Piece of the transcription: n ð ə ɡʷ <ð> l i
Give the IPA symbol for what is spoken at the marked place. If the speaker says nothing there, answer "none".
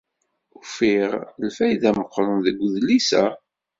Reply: ð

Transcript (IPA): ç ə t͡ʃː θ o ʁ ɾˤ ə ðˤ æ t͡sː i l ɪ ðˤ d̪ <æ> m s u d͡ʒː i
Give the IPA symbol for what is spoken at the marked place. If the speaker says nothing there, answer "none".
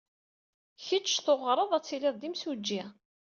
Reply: i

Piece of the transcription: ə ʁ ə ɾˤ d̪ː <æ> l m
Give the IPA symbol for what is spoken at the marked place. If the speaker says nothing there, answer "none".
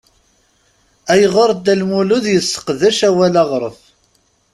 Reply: æ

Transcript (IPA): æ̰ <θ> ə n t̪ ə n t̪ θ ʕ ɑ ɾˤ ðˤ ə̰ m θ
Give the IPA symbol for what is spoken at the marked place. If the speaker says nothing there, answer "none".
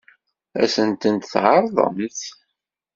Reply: s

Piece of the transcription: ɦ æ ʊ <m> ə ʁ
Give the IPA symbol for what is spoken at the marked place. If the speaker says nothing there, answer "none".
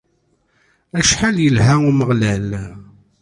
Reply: m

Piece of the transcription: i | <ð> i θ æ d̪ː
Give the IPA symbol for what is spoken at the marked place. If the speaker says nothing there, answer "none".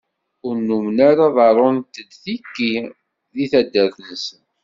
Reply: ð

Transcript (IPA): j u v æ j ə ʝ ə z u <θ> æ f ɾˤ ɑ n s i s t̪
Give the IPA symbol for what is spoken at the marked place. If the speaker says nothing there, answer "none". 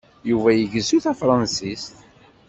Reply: θ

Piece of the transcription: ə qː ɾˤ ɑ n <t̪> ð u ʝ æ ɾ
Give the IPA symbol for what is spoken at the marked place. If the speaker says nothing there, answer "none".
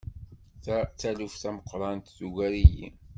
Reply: t̪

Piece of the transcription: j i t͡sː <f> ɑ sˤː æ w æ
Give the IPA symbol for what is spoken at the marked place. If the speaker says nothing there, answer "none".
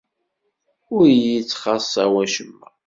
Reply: χ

